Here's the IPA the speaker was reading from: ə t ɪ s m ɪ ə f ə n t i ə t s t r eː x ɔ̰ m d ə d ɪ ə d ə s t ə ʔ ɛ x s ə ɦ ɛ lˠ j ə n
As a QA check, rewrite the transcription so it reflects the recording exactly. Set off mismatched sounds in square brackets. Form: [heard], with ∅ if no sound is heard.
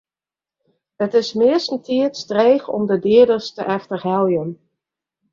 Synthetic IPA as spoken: ə t ɪ s m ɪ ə [s] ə n t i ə t s t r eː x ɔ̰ m d ə d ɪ ə d ə s t ə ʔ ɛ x [t] ə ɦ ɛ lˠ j ə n